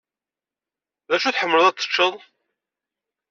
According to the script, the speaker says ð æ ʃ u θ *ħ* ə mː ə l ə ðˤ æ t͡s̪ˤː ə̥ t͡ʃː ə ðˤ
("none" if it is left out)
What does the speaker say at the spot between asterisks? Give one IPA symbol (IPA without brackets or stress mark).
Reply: ħ